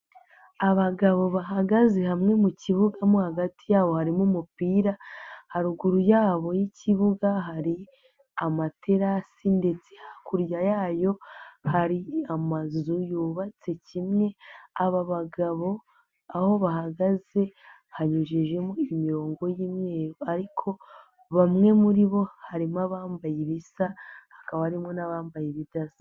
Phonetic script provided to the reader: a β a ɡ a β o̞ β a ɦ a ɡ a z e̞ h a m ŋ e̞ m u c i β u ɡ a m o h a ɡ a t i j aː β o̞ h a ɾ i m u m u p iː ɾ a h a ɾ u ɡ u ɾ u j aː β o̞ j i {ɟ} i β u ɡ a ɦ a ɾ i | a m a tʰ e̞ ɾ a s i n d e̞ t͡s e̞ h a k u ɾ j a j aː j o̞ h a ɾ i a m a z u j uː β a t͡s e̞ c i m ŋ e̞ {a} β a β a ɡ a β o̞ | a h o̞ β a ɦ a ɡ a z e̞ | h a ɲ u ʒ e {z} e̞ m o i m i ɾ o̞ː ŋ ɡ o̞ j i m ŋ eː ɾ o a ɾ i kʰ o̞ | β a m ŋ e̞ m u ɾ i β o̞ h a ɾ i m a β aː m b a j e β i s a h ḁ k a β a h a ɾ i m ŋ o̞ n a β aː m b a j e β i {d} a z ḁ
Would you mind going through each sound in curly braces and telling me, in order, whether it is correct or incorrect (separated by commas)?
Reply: incorrect, correct, incorrect, correct